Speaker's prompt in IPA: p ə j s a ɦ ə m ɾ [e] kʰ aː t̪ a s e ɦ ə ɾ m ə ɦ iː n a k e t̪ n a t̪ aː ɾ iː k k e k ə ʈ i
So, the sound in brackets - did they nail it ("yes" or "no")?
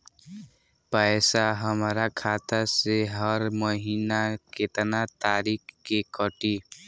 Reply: no